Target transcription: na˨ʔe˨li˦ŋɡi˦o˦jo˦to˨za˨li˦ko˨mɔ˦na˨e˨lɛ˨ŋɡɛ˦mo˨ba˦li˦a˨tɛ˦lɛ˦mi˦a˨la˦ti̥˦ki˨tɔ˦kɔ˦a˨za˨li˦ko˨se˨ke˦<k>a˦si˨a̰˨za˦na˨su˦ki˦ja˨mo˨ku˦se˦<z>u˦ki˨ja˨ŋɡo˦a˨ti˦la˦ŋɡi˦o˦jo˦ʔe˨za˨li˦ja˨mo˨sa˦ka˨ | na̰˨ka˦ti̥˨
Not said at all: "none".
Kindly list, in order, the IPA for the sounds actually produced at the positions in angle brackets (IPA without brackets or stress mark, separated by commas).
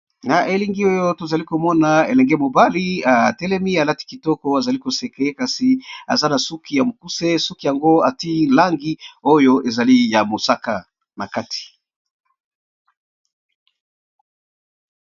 k, s